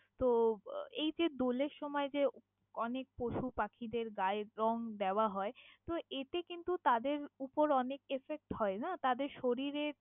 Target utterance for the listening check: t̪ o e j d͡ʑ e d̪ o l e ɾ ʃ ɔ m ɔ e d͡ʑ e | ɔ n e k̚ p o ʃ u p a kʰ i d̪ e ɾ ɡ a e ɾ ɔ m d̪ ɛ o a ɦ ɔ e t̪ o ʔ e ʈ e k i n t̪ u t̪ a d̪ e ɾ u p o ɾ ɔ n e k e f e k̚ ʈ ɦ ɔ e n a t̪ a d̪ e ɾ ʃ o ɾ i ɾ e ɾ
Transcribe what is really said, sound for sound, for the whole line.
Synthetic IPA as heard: t̪ o e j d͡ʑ e d̪ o l e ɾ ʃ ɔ m ɔ e d͡ʑ e | ɔ n e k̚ p o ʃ u p a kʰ i d̪ e ɾ ɡ a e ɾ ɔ ŋ d̪ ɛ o a ɦ ɔ e t̪ o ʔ e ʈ e k i n t̪ u t̪ a d̪ e ɾ u p o ɾ ɔ n e k e f e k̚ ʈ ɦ ɔ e n a t̪ a d̪ e ɾ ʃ o ɾ i ɾ e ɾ